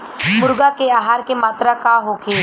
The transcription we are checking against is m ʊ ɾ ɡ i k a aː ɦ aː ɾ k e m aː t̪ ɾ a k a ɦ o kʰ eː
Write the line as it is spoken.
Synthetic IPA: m ʊ ɾ ɡ a k e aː ɦ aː ɾ k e m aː t̪ ɾ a k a ɦ o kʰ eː